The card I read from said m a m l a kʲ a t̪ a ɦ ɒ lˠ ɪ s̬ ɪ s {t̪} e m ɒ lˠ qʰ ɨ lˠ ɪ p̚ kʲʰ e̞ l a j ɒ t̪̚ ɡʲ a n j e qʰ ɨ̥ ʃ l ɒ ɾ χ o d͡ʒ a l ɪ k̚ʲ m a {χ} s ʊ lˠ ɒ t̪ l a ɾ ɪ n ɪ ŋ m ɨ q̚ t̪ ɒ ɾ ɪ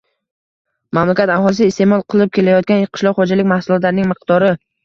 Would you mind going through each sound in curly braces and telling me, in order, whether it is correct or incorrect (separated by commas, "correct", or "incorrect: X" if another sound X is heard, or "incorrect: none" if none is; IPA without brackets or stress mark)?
correct, incorrect: h